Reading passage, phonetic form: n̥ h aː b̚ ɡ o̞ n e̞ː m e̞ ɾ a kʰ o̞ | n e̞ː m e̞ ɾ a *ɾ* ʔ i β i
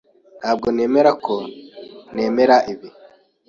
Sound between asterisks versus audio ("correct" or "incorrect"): incorrect